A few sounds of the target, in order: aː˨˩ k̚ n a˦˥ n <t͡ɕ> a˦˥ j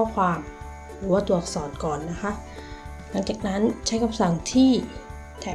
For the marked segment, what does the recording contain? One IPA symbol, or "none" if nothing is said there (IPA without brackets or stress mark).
t͡ɕʰ